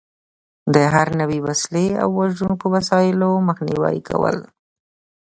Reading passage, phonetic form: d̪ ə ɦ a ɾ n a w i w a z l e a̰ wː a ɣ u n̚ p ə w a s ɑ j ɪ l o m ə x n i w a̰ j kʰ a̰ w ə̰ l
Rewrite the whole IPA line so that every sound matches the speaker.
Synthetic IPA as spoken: d̪ ə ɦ a ɾ n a w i w a s l e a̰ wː a ʒ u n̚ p ə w a s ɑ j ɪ l o m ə x n i w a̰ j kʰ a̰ w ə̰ l